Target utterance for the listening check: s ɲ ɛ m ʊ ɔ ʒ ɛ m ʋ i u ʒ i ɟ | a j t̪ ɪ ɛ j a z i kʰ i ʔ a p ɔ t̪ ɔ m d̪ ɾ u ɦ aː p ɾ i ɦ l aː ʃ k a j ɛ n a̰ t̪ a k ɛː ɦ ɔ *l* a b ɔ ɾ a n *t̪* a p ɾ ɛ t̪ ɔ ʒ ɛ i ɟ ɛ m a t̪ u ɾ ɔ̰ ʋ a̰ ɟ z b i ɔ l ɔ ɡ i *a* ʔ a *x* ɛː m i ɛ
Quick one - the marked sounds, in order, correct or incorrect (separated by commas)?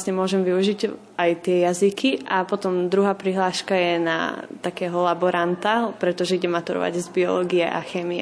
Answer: correct, correct, incorrect, correct